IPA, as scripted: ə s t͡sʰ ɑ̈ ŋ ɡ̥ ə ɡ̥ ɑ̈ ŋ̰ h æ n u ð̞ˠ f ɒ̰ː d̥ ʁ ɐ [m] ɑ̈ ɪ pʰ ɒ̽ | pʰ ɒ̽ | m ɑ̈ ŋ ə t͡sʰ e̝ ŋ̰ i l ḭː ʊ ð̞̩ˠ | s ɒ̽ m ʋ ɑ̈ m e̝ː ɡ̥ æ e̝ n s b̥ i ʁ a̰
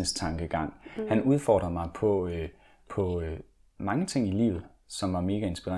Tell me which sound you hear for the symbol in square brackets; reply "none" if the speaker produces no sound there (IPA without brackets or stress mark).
m